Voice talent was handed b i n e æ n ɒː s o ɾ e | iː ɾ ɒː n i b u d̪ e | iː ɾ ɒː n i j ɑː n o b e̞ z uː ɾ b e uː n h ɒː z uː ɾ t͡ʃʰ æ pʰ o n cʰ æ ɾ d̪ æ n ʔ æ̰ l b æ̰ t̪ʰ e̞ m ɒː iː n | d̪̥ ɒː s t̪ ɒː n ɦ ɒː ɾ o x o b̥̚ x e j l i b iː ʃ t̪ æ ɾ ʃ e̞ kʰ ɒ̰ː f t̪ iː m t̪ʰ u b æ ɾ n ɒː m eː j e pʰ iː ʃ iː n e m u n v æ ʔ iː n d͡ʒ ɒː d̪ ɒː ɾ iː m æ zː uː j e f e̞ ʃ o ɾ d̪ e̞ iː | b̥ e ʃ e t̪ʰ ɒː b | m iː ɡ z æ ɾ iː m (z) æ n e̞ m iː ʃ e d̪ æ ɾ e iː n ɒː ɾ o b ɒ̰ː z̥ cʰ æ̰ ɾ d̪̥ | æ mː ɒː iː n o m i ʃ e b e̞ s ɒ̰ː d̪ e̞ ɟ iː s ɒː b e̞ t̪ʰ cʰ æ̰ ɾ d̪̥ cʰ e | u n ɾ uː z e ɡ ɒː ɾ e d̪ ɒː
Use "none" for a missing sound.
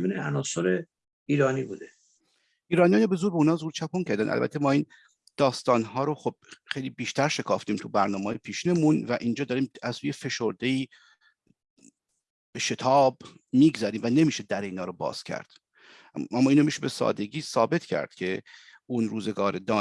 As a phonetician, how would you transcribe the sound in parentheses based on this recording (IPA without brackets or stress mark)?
v